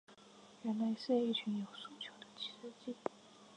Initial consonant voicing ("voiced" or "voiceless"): voiced